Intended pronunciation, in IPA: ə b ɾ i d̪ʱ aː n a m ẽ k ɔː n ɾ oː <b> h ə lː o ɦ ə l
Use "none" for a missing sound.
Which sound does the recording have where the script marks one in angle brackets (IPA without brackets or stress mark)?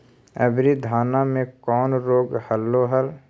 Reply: ɡ